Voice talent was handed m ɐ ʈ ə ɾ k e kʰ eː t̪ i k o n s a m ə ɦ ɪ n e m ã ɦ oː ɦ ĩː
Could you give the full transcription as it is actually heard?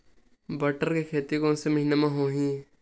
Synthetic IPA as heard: b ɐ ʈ ə ɾ k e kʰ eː t̪ i k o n s e m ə ɦ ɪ n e m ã ɦ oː ɦ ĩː

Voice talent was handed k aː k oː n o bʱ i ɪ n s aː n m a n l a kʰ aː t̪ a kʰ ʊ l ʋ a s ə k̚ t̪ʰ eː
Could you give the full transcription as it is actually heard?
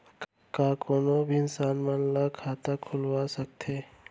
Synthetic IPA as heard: k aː k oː n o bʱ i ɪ n s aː n m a n l a kʰ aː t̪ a kʰ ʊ l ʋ a s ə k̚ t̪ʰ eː

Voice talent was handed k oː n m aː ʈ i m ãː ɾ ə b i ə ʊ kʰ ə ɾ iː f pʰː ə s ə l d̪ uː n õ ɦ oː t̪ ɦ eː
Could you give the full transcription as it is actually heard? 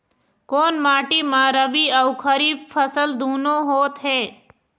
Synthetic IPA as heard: k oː n m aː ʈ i m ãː ɾ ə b i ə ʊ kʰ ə ɾ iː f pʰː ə s ə l d̪ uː n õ ɦ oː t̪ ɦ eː

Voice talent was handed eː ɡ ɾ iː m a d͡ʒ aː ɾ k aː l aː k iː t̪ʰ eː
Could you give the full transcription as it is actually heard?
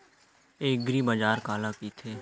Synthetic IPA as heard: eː ɡ ɾ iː b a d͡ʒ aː ɾ k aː l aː k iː t̪ʰ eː

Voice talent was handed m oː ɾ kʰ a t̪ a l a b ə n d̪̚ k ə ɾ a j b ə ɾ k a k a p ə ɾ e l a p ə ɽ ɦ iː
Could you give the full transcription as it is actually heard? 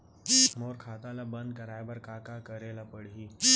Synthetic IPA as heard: m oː ɾ kʰ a t̪ a l a b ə n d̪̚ k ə ɾ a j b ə ɾ k a k a k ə ɾ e l a p ə ɽ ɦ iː

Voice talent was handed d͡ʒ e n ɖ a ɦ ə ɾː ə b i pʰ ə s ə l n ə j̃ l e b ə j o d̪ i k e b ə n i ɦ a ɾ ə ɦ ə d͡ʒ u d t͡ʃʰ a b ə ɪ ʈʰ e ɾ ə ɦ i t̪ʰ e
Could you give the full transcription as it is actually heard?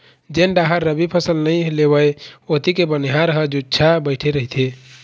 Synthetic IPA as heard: d͡ʒ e n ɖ a ɦ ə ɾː ə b i pʰ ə s ə l n ə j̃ l e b ə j o t̪ i k e b ə n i ɦ a ɾ ə ɦ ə d͡ʒ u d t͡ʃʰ a b ə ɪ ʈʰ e ɾ ə ɦ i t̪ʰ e

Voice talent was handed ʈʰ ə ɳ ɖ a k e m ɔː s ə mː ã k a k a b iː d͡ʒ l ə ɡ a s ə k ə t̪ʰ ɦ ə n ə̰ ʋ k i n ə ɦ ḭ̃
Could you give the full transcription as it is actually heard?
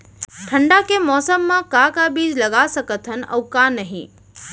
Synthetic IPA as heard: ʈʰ ə ɳ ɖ a k e m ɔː s ə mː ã k a k a b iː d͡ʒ l ə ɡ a s ə k ə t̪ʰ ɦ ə n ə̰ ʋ k a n ə ɦ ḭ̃

